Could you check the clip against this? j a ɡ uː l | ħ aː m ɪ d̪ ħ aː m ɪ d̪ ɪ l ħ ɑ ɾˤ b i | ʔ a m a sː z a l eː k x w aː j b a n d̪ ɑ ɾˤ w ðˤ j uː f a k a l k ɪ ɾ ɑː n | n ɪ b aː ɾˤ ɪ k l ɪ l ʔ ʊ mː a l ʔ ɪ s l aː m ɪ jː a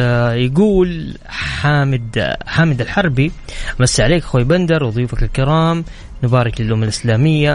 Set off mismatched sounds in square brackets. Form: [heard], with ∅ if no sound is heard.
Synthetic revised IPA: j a ɡ uː l | ħ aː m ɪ d̪ ħ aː m ɪ d̪ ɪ l ħ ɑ ɾˤ b i | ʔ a m a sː [ʕ] a l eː k x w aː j b a n d̪ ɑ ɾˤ w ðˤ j uː f a k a l k ɪ ɾ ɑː [m] | n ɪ b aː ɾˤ ɪ k l ɪ l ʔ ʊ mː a l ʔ ɪ s l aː m ɪ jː a